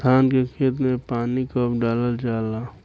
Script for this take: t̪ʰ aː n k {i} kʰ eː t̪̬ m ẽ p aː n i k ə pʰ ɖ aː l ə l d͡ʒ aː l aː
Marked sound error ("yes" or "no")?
yes